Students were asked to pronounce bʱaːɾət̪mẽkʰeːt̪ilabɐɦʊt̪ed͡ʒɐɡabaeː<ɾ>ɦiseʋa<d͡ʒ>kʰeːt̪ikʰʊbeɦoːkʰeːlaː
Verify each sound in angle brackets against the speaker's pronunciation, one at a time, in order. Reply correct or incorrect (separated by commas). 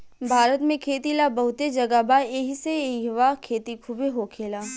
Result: incorrect, incorrect